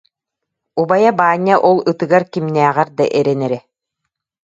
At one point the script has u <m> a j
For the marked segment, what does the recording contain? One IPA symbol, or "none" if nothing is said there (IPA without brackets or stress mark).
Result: b